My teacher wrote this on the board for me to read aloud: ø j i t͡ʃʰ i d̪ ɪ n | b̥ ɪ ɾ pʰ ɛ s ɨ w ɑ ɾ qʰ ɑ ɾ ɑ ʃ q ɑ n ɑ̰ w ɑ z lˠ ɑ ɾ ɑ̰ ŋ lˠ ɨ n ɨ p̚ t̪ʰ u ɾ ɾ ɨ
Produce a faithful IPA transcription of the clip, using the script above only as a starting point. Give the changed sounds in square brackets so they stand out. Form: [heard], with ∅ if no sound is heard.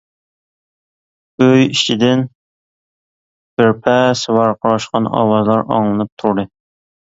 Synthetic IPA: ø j i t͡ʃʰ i d̪ ɪ n | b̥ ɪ ɾ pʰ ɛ s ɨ w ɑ ɾ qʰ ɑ ɾ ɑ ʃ q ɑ n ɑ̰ w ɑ z lˠ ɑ ɾ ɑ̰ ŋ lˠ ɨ n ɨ p̚ t̪ʰ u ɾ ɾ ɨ